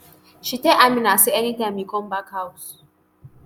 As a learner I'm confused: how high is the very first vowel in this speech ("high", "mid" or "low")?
high